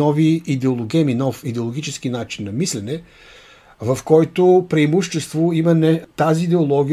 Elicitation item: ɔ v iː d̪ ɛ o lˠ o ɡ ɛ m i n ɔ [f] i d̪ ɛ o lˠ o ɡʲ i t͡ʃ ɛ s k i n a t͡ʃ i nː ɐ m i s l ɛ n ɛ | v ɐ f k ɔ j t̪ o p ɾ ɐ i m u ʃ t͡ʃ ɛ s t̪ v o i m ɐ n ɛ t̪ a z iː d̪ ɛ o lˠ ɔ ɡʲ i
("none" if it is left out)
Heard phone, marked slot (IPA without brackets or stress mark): f